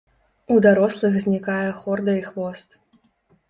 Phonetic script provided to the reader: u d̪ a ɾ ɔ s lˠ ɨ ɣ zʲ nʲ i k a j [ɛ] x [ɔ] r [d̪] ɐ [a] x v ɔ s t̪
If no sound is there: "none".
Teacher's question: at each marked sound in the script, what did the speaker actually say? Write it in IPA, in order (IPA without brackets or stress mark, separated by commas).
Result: ɛ, ɔ, d̪, i